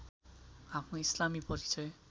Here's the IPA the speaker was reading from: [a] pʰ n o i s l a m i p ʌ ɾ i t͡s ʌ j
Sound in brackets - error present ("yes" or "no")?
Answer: no